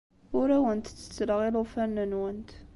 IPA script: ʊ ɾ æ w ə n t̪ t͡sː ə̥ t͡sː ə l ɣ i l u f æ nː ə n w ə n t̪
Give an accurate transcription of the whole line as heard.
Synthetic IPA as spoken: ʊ ɾ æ w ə n t̪ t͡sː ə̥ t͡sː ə l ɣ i l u f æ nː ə n w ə n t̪